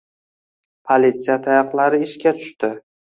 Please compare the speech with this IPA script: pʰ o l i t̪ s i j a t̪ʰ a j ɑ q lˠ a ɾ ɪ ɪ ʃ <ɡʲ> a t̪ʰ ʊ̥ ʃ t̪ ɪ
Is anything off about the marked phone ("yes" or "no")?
yes